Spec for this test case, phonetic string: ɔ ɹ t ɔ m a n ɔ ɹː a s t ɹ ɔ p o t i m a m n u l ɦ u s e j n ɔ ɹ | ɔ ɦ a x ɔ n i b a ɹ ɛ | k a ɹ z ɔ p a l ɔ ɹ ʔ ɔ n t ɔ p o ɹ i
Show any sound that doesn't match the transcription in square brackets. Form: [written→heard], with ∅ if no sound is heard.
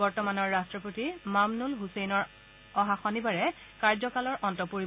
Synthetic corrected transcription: ɔ ɹ t ɔ m a n ɔ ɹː a s t ɹ ɔ p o t i m a m n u l ɦ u s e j n ɔ ɹ | ɔ ɦ a x ɔ n i b a ɹ ɛ | k a ɹ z ɔ [p→k] a l ɔ ɹ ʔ ɔ n t ɔ p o ɹ i